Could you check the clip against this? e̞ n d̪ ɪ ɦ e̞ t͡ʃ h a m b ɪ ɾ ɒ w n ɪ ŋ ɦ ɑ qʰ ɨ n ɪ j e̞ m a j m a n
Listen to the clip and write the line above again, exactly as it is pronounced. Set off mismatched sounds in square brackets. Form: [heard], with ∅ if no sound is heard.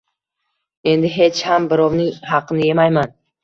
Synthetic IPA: e̞ n d̪ ɪ ɦ e̞ t͡ʃ h a m b ɪ ɾ ɒ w n ɪ ŋ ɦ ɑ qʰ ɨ n ɪ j e̞ m a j m a n